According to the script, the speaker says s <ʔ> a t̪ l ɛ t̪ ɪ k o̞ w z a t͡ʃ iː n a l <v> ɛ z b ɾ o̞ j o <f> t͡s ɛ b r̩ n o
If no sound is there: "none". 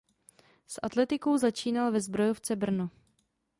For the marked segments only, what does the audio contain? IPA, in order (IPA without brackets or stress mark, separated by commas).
ʔ, v, f